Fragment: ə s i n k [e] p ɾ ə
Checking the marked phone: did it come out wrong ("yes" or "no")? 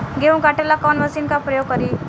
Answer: yes